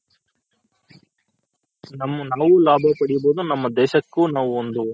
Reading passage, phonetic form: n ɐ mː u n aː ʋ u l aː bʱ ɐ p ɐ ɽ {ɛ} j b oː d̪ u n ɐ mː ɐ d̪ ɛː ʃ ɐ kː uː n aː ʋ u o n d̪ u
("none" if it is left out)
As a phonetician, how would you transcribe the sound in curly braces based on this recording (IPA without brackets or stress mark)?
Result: i